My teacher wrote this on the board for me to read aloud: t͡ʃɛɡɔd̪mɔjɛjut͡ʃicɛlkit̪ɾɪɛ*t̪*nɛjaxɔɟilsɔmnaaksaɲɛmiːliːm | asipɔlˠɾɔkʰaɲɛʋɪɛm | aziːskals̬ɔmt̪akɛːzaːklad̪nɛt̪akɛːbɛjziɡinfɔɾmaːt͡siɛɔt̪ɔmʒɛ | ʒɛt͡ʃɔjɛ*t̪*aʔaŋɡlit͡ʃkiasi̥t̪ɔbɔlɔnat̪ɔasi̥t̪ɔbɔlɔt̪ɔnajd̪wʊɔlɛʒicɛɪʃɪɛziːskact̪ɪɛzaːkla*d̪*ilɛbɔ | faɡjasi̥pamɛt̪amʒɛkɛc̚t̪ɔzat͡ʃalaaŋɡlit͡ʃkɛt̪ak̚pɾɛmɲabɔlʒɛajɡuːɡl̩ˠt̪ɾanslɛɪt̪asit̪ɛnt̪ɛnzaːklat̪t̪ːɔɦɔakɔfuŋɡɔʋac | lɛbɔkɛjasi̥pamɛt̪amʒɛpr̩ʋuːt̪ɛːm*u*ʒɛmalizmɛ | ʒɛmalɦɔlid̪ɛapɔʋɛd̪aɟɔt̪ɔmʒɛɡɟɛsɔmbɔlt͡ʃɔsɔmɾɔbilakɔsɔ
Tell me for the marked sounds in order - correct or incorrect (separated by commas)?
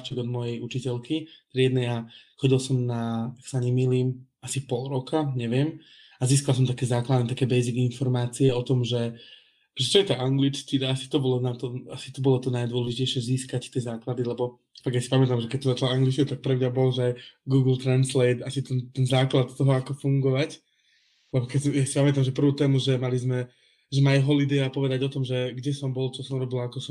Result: incorrect, correct, correct, correct